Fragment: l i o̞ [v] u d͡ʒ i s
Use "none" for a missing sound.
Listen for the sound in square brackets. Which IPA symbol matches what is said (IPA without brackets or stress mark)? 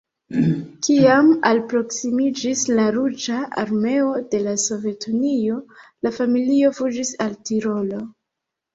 f